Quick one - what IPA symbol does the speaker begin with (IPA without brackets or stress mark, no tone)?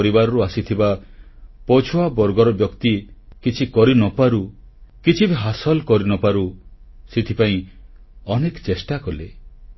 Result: ɾ